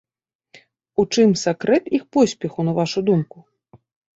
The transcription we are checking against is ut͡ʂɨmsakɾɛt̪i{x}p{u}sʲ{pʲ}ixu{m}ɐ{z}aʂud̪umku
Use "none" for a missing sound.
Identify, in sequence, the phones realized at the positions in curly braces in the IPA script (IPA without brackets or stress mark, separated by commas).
x, ɔ, pʲ, n, v